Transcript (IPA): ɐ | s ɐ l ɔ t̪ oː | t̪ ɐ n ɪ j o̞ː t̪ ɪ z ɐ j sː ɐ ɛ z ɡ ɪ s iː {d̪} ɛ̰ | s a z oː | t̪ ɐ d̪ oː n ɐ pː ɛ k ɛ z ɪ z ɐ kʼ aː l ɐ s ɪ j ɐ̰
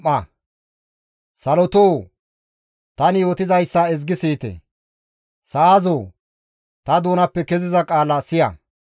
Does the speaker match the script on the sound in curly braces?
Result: no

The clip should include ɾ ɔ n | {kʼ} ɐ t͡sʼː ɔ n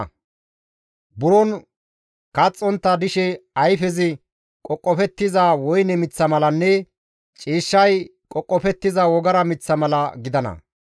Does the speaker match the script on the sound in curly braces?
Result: no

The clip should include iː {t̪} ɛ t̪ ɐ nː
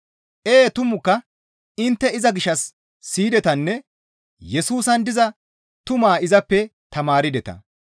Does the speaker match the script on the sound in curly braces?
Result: no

